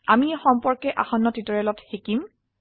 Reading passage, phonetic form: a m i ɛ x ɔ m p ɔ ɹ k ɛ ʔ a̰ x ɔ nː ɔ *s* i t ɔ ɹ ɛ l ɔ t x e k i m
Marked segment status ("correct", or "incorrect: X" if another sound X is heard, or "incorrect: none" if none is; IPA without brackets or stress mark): incorrect: t